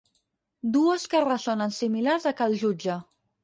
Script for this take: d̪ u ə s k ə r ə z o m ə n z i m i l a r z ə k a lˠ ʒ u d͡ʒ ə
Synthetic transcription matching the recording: d̪ u ə s k ə r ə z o n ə n s i m i l a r z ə k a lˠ ʒ u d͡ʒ ə